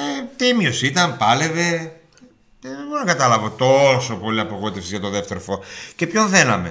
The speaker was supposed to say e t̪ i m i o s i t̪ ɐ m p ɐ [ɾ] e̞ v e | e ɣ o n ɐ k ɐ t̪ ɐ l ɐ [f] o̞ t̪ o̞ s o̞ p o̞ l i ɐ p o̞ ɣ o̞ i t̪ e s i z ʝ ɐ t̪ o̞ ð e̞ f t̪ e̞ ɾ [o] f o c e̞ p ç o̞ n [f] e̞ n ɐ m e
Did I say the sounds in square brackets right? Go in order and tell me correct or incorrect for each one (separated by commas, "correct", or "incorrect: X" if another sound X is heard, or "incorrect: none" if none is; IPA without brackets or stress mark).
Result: incorrect: l, incorrect: v, correct, incorrect: θ